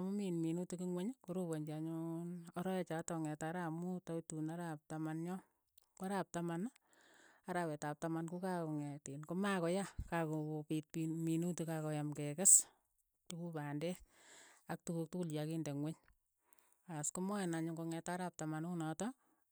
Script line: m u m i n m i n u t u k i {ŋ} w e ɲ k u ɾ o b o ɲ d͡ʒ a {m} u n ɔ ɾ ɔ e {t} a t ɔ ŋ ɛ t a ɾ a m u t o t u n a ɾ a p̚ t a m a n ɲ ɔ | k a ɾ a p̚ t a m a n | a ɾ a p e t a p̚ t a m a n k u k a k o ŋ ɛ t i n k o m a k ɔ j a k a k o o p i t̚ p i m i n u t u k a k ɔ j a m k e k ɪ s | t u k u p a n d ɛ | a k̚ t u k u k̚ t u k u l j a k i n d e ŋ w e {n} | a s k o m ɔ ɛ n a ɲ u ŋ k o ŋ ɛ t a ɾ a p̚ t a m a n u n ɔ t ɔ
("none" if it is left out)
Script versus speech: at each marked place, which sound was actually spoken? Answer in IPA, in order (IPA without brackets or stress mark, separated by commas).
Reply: ŋ, ɲ, t͡ʃ, ɲ